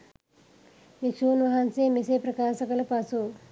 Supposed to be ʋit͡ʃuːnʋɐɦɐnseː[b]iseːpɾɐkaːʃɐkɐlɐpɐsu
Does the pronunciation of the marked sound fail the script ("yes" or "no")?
yes